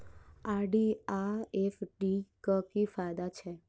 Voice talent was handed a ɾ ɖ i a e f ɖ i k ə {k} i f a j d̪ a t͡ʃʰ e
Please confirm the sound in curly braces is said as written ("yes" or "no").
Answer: yes